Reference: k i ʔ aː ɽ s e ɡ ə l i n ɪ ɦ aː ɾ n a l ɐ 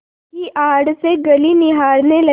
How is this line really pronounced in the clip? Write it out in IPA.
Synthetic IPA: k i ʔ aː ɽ s e ɡ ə l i n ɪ ɦ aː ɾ n e l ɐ